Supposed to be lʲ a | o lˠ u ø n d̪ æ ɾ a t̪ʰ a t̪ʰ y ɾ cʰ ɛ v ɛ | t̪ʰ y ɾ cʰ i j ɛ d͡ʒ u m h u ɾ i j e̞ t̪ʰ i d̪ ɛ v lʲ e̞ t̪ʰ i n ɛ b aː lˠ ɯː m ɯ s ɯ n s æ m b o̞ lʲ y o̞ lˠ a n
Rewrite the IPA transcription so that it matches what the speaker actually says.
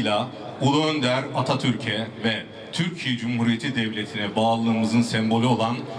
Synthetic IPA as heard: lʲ a | u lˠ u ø n d̪ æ ɾ a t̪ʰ a t̪ʰ y ɾ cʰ ɛ v ɛ | t̪ʰ y ɾ cʰ i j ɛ d͡ʒ u m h u ɾ i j e̞ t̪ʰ i d̪ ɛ v lʲ e̞ t̪ʰ i n ɛ b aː lˠ ɯː m ɯ z ɯ n s ɛ m b o̞ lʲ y o̞ lˠ a n